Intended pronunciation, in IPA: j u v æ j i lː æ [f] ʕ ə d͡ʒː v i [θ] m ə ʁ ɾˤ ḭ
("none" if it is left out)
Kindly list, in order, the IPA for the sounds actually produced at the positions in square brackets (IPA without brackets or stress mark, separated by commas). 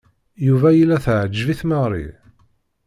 θ, θ